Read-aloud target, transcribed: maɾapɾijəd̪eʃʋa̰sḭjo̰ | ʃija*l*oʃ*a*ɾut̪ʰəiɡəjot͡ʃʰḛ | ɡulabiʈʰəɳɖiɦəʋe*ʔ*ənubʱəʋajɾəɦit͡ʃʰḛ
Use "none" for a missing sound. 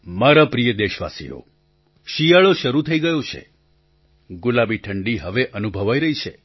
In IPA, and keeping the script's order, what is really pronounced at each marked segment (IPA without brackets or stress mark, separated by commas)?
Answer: ɭ, ə, ʔ